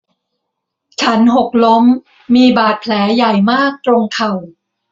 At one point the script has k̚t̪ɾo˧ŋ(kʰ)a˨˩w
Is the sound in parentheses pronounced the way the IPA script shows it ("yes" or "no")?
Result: yes